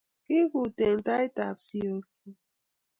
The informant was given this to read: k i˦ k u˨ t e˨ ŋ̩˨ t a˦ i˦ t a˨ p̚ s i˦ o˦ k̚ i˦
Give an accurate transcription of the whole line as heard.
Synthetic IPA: k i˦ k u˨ t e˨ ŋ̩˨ t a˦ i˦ t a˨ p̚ s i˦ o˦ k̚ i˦